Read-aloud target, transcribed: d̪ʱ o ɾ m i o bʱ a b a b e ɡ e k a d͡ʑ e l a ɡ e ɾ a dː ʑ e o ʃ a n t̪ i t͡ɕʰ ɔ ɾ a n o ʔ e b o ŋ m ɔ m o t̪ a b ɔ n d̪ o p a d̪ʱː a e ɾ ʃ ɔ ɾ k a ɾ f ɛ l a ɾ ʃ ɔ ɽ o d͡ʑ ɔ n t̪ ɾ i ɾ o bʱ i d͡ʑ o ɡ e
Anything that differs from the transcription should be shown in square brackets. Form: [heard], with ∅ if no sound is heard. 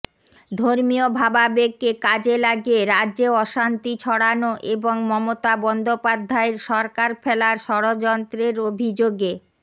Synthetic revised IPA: d̪ʱ o ɾ m i o bʱ a b a b e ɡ e k a d͡ʑ e l a ɡ e ɾ a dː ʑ e [ɔ] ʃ a n t̪ i t͡ɕʰ ɔ [ɽ] a n o ʔ e b o ŋ m ɔ m o t̪ a b ɔ n d̪ o p a d̪ʱː a e ɾ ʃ ɔ ɾ k a ɾ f ɛ l a ɾ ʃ ɔ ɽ o d͡ʑ ɔ n t̪ ɾ [e] ɾ o bʱ i d͡ʑ o ɡ e

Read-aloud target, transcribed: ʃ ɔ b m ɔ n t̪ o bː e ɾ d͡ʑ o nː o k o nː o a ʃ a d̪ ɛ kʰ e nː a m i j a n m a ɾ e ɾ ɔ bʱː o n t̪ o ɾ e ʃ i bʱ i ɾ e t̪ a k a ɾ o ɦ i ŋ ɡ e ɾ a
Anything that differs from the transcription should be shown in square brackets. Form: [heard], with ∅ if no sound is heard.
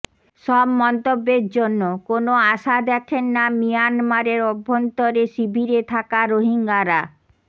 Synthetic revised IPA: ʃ ɔ b m ɔ n t̪ o bː e ɾ d͡ʑ o nː o k o [n] o a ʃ a d̪ ɛ kʰ e nː a m i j a n m a ɾ e ɾ ɔ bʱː o n t̪ o ɾ e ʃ i bʱ i ɾ e [t̪ʰ] a k a ɾ o ɦ i ŋ ɡ [a] ɾ a

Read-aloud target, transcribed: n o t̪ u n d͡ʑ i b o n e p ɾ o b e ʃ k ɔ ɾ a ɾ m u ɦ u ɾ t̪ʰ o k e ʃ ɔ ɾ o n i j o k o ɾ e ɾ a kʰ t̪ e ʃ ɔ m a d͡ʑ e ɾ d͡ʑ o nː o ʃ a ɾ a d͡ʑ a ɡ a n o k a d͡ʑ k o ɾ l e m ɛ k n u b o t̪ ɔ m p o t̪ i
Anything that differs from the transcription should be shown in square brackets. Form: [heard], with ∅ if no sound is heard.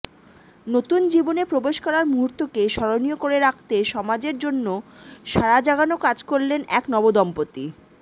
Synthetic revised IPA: n o t̪ u n d͡ʑ i b o n e p ɾ o b e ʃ k ɔ ɾ a ɾ m u ɦ u ɾ [t̪] o k e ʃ ɔ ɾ o n i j o k o ɾ e ɾ a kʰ t̪ e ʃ ɔ m a d͡ʑ e ɾ d͡ʑ o nː o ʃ a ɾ a d͡ʑ a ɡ a n o k a d͡ʑ k o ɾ l e [n] ɛ k n [ɔ] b o [d̪] ɔ m p o t̪ i

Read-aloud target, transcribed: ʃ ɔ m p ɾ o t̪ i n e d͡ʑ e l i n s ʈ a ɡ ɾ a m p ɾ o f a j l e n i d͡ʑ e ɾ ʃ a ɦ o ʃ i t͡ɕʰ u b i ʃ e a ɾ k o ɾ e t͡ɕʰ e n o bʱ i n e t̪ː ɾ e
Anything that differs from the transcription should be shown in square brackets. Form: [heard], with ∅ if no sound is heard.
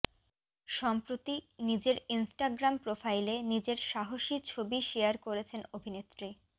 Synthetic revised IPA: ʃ ɔ m p ɾ o t̪ i n [i] d͡ʑ e [ɾ] i n s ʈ a ɡ ɾ a m p ɾ o f a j l e n i d͡ʑ e ɾ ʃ a ɦ o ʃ i t͡ɕʰ [o] b i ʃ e a ɾ k o ɾ e t͡ɕʰ e n o bʱ i n e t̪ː ɾ [i]

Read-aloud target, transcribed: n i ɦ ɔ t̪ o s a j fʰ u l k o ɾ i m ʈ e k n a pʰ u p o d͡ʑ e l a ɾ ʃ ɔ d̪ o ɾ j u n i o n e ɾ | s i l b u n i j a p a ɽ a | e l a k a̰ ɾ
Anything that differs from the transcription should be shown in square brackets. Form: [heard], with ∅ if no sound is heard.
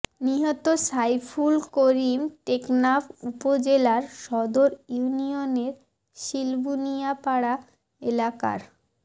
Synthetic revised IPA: n i ɦ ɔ t̪ o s a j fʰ u l k o ɾ i m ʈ e k n a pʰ u p o d͡ʑ e l a ɾ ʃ ɔ d̪ o ɾ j u n i o n e ɾ | [ʃ] i l b u n i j a p a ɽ a | e l a k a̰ ɾ

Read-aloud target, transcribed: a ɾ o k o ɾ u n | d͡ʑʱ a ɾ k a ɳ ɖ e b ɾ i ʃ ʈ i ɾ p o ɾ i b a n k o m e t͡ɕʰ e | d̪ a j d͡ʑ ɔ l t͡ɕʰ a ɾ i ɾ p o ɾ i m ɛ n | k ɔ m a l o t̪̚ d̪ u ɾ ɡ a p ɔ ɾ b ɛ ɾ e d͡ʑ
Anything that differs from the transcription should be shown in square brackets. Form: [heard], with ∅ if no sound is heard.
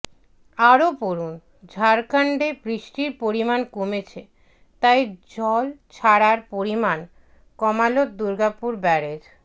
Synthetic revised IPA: a ɾ o [p] o ɾ u n | d͡ʑʱ a ɾ k a ɳ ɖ e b ɾ i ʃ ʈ i ɾ p o ɾ i [m] a n k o m e t͡ɕʰ e | [t̪] a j d͡ʑ ɔ l t͡ɕʰ a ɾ [a] ɾ p o ɾ i m [a] n | k ɔ m a l o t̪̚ d̪ u ɾ ɡ a p [u] ɾ b ɛ ɾ e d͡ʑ

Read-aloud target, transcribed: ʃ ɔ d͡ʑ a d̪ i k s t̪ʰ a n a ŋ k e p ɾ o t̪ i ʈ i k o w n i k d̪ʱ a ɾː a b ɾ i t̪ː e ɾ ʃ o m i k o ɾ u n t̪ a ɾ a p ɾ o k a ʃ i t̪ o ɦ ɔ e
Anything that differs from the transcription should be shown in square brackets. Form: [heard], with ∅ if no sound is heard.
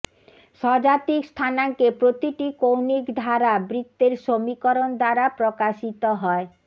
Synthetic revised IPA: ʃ ɔ d͡ʑ a [t̪] i k s t̪ʰ a n a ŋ k e p ɾ o t̪ i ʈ i k o w n i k d̪ʱ a [ɾ] a b ɾ i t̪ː e ɾ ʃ o m i k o ɾ [o] n [d̪] a ɾ a p ɾ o k a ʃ i t̪ o ɦ ɔ e

